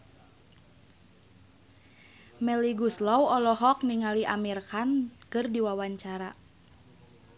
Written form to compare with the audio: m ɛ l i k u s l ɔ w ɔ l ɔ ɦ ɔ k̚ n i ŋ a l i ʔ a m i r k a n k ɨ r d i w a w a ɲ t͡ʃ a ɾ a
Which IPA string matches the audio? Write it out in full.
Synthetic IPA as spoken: m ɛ l i ɡ u s l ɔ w ɔ l ɔ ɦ ɔ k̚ n i ŋ a l i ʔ a m i r k a n k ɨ r d i w a w a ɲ t͡ʃ a ɾ a

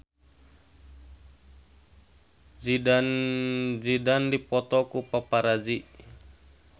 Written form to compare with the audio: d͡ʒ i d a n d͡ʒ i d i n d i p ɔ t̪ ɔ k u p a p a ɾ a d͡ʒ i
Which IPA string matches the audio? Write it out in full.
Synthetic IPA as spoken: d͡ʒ i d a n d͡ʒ i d a n d i p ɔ t̪ ɔ k u p a p a ɾ a d͡ʒ i

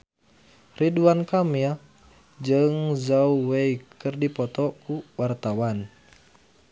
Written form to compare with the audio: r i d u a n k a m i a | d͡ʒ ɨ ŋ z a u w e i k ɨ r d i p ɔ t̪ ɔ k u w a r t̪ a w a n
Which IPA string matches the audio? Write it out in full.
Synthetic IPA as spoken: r i d u a n k a m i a | d͡ʒ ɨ ŋ z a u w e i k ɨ r d i p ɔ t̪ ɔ k u w a r t̪ a w a n

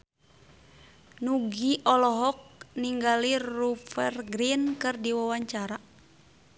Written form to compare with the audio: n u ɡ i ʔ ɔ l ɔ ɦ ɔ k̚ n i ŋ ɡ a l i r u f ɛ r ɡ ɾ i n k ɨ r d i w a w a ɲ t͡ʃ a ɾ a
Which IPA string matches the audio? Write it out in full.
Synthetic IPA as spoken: n u ɡ i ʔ ɔ l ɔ ɦ ɔ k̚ n i ŋ ɡ a l i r u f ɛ r ɡ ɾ i n k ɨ r d i w a w a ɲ t͡ʃ a ɾ a

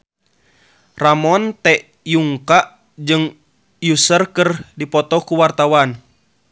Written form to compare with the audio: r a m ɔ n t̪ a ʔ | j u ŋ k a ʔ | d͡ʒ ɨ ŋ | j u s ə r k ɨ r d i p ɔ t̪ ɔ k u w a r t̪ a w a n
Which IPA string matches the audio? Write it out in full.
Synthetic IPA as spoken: r a m ɔ n t̪ ɛ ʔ | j u ŋ k a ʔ | d͡ʒ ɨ ŋ | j u s ə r k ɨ r d i p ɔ t̪ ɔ k u w a r t̪ a w a n

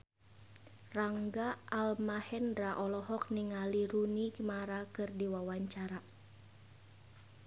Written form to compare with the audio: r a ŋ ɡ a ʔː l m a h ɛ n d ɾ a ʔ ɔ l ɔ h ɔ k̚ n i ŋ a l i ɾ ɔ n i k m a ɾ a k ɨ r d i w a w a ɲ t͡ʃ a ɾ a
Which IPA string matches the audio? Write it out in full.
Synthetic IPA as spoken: r a ŋ ɡ a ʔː l m a h ɛ n d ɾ a ʔ ɔ l ɔ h ɔ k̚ n i ŋ a l i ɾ u n i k m a ɾ a k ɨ r d i w a w a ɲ t͡ʃ a ɾ a

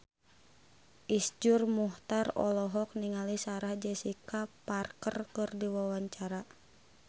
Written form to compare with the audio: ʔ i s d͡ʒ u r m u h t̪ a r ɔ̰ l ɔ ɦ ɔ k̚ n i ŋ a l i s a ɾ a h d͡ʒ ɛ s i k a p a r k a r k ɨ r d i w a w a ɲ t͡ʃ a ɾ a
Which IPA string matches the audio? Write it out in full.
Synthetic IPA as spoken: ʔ i s d͡ʒ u r m u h t̪ a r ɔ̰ l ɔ ɦ ɔ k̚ n i ŋ a l i s a ɾ a h d͡ʒ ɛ s i k a p a r k ə r k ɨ r d i w a w a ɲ t͡ʃ a ɾ a

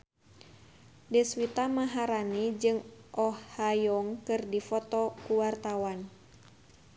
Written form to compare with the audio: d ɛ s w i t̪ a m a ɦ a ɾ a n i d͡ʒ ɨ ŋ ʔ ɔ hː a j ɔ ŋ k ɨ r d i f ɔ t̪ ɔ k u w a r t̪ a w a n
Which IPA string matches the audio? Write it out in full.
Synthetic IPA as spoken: d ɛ s w i t̪ a m a ɦ a ɾ a n i d͡ʒ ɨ ŋ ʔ ɔ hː a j ɔ ŋ k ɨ r d i f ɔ t̪ ɔ k u w a r t̪ a w a n

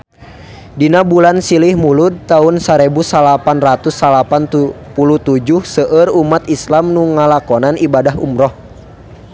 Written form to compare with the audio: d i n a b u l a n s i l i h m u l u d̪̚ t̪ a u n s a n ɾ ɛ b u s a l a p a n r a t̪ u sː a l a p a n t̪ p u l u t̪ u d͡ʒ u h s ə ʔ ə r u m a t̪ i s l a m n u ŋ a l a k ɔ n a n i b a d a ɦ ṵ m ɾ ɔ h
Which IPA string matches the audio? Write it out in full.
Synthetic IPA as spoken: d i n a b u l a n s i l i h m u l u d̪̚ t̪ a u n s a ɾ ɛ b u s a l a p a n r a t̪ u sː a l a p a n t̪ p u l u t̪ u d͡ʒ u h s ə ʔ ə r u m a t̪ i s l a m n u ŋ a l a k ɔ n a n i b a d a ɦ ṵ m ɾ ɔ h

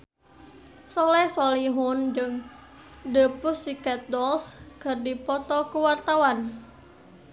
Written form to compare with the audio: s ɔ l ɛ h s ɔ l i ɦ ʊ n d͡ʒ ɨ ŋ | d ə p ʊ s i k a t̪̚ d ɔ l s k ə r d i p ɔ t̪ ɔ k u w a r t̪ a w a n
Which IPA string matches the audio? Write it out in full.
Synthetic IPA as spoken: s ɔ l ɛ h s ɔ l i ɦ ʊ n d͡ʒ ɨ ŋ | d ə p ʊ s i k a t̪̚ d ɔ l s k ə r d i p ɔ t̪ ɔ k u w a r t̪ a w a n

